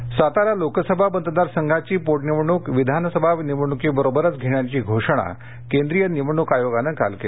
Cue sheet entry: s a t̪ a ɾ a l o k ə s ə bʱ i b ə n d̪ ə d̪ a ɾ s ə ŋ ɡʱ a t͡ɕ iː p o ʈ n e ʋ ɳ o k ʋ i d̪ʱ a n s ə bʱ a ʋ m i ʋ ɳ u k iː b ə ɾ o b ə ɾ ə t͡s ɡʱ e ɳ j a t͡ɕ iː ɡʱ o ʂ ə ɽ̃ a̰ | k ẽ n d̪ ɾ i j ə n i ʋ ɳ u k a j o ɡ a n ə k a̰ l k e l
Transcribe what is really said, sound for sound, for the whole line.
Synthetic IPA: s a t̪ a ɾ a l o k ə s ə bʱ a b ə n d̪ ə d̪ a ɾ s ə ŋ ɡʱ a t͡ɕ iː p o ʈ n i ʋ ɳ u k ʋ i d̪ʱ a n s ə bʱ a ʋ n i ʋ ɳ u k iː b ə ɾ o b ə ɾ ə t͡s ɡʱ e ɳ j a t͡ɕ iː ɡʱ o ʂ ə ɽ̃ a̰ | k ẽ n d̪ ɾ i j ə n i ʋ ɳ u k a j o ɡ a n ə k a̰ l k e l